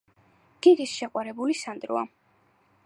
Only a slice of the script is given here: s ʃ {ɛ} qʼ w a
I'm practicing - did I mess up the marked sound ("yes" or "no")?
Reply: no